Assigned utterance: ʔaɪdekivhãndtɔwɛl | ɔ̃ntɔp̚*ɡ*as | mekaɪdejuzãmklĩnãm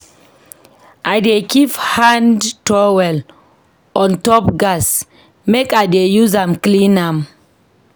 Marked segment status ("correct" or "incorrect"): correct